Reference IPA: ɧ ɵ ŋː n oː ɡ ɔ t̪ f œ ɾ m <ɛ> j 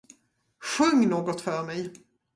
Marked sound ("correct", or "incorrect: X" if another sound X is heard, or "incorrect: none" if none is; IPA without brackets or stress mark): correct